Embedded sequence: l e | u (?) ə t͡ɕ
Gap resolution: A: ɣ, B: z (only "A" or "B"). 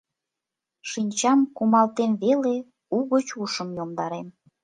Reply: A